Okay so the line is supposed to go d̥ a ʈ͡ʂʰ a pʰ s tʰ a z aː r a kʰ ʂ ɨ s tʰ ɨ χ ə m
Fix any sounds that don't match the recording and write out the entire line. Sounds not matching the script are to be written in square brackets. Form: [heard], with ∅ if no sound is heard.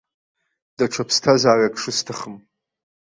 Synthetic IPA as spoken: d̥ a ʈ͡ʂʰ a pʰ s tʰ a z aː r a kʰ ʂ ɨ s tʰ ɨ χ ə m